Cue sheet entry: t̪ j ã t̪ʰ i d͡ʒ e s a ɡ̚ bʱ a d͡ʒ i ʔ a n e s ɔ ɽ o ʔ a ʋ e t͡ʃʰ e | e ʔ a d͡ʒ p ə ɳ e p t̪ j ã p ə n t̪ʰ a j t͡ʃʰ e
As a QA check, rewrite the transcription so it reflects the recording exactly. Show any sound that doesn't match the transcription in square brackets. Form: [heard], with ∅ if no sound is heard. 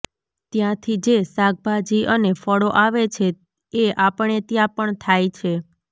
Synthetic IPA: t̪ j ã t̪ʰ i d͡ʒ e s a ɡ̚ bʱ a d͡ʒ i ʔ [ə] n e [f] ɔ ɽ o ʔ a ʋ e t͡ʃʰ e | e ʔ a [∅] p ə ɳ e [∅] t̪ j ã p ə [ɳ] t̪ʰ a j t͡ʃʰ e